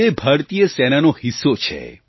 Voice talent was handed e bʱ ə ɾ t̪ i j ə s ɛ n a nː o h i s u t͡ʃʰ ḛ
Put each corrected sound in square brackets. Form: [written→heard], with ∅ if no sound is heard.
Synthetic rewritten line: e bʱ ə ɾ t̪ i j ə s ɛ n a [nː→n] o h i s [u→o] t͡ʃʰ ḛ

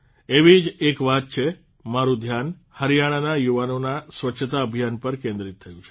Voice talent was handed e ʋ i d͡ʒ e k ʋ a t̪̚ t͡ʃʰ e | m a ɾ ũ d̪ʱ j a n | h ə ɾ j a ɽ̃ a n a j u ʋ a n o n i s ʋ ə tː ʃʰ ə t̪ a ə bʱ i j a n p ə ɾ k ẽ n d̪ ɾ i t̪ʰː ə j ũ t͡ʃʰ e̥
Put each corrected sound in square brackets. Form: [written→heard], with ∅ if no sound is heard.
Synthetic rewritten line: e ʋ i d͡ʒ e k ʋ a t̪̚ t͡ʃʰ e | m a ɾ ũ d̪ʱ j a n | h ə ɾ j a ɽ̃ a n a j u ʋ a n o n [i→a] s ʋ ə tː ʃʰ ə t̪ a ə bʱ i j a n p ə ɾ k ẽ n d̪ ɾ i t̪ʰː ə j ũ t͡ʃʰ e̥

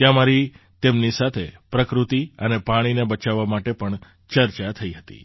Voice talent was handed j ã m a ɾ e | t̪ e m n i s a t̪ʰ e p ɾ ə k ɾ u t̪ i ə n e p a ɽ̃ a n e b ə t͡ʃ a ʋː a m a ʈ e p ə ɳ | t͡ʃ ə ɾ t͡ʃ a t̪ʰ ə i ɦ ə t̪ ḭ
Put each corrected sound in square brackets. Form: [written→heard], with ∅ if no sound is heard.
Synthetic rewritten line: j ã m a ɾ [e→i] | t̪ e m n i s a t̪ʰ e p ɾ ə k ɾ u t̪ i ə n e p a ɽ̃ [a→i] n e b ə t͡ʃ a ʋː a m a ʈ e p ə ɳ | t͡ʃ ə ɾ t͡ʃ a t̪ʰ ə i ɦ ə t̪ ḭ

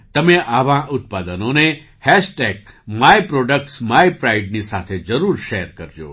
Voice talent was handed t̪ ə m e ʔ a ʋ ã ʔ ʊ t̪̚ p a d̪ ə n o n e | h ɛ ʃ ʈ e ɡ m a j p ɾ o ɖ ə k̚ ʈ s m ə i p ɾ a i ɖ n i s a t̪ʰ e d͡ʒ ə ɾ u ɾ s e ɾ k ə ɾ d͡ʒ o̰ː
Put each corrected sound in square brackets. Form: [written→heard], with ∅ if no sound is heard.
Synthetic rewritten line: t̪ ə m e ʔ a ʋ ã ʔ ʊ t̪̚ p a d̪ ə n o n e | h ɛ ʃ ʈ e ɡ m a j p ɾ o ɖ ə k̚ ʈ s m [ə→a] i p ɾ a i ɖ n i s a t̪ʰ e d͡ʒ ə ɾ u ɾ [s→ʃ] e ɾ k ə ɾ d͡ʒ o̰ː

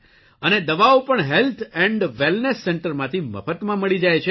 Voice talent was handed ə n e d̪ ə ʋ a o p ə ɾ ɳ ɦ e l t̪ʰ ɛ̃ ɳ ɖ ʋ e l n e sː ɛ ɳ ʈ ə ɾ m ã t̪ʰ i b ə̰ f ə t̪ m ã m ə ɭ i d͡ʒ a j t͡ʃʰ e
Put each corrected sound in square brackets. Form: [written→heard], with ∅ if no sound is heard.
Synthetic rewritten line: ə n e d̪ ə ʋ a o p ə [ɾ→∅] ɳ ɦ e l t̪ʰ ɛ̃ ɳ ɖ ʋ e l n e sː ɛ ɳ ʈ ə ɾ m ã t̪ʰ i [b→m] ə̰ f ə t̪ m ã m ə ɭ i d͡ʒ a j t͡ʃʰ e

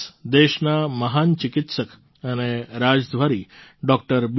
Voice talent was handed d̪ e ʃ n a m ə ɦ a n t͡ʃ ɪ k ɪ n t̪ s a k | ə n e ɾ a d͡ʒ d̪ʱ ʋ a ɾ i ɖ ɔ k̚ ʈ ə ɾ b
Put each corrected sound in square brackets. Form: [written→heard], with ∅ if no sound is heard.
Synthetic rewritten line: d̪ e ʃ n a m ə ɦ a n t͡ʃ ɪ k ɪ [n→∅] t̪ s [a→ə] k | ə n e ɾ a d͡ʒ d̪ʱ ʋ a ɾ i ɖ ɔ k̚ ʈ ə ɾ b

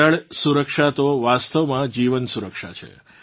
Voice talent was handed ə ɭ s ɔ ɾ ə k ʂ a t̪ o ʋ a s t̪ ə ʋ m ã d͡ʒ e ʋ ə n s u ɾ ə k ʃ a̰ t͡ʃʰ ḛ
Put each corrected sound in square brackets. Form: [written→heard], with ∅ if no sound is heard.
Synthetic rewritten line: ə ɭ s [ɔ→u] ɾ ə k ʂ a t̪ o ʋ a s t̪ ə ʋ m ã d͡ʒ [e→i] ʋ ə n s u ɾ ə k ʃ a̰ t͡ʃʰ ḛ

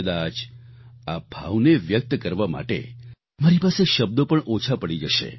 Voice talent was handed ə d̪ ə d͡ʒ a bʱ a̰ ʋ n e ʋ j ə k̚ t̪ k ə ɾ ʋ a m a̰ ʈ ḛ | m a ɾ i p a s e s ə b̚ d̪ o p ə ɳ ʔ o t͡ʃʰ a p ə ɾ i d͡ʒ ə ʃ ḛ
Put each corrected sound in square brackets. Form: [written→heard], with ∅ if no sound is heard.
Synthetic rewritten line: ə d̪ [ə→a] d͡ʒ a bʱ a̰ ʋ n e ʋ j ə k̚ t̪ k ə ɾ ʋ a m a̰ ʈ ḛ | m a ɾ i p a s e [s→ʃ] ə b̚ d̪ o p ə ɳ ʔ o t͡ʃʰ a p ə [ɾ→ɽ] i d͡ʒ ə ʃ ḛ

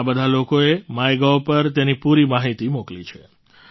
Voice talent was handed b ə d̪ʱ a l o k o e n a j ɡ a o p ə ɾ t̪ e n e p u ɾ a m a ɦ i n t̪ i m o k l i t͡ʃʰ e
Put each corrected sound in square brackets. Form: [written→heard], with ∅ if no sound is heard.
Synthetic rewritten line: b ə d̪ʱ a l o k o e [n→m] a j ɡ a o p ə ɾ t̪ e n [e→i] p u ɾ [a→i] m a ɦ i [n→∅] t̪ i m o k l i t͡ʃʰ e

